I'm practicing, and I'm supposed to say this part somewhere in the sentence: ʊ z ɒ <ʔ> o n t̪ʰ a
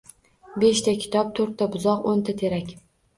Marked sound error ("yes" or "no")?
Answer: yes